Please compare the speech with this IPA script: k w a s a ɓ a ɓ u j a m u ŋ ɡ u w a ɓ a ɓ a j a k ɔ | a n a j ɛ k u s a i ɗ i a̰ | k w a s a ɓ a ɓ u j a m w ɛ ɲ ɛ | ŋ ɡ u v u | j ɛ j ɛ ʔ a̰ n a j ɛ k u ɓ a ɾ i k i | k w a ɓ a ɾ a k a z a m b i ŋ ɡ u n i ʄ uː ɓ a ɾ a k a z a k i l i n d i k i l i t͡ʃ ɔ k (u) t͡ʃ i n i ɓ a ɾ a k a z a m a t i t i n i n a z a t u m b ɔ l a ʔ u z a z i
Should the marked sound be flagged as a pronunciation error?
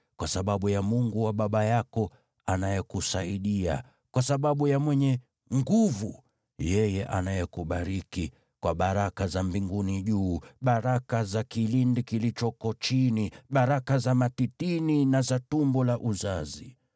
yes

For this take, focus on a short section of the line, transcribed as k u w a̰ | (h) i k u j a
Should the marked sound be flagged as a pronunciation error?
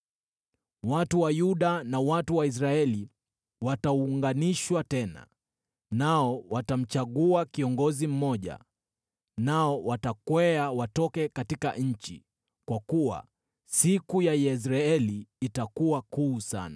yes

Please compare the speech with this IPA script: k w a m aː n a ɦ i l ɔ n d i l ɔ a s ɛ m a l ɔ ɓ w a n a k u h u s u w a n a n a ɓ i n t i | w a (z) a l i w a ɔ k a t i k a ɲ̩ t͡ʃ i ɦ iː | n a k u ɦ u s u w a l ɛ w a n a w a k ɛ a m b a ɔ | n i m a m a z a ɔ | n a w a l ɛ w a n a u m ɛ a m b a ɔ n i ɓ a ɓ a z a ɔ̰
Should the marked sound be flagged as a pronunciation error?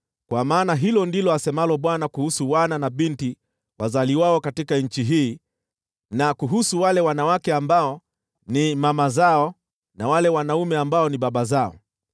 no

